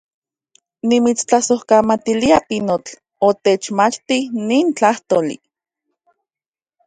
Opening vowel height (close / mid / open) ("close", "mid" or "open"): close